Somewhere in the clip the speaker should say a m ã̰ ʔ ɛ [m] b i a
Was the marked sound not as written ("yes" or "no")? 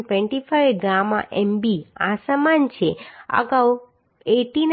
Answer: no